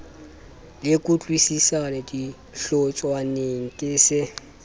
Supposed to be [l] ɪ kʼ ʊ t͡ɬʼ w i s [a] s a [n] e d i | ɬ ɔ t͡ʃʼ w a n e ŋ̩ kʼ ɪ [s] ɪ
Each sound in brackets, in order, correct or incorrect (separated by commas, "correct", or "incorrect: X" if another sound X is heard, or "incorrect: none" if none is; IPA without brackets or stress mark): correct, incorrect: i, correct, correct